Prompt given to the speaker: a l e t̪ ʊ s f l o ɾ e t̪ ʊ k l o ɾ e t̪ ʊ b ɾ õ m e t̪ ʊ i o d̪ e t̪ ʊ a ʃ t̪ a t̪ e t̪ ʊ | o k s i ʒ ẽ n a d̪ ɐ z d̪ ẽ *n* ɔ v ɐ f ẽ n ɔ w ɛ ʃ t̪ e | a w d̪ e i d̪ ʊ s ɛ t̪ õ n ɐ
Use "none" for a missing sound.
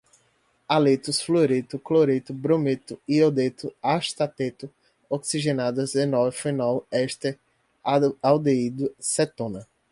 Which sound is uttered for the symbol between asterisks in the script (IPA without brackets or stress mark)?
n